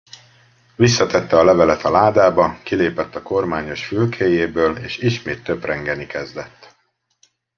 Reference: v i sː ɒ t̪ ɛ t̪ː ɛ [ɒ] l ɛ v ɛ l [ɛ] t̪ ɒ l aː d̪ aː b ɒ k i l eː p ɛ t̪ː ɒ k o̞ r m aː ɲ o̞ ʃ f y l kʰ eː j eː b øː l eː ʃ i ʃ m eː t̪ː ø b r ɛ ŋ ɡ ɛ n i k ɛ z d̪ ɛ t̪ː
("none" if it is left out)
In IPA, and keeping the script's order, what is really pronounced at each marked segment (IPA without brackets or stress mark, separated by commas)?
ɒ, ɛ